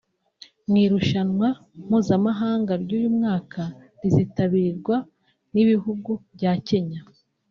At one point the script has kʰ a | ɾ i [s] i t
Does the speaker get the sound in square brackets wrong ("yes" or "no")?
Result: yes